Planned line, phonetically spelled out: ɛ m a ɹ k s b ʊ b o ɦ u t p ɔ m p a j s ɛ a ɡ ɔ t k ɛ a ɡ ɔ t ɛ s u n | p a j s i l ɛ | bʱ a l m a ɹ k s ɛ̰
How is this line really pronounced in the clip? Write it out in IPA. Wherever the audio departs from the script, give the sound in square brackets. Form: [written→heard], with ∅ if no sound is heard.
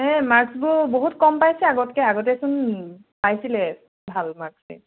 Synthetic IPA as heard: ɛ m a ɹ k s b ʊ b o ɦ u t [p→k] ɔ m p a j s ɛ a ɡ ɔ t k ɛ a ɡ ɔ t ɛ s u n | p a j s i l ɛ | bʱ a l m a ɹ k s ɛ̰